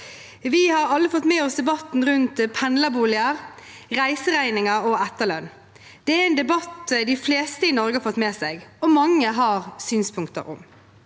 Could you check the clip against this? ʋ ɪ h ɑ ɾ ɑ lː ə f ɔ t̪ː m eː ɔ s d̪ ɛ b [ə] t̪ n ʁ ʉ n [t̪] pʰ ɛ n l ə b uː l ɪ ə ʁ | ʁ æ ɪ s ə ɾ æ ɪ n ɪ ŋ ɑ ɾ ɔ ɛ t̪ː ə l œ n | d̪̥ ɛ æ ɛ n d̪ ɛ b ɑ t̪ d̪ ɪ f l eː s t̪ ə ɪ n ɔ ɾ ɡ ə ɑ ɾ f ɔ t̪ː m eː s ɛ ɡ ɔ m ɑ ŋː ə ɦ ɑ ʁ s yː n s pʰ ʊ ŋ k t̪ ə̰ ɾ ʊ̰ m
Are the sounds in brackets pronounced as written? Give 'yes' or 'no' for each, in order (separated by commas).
no, yes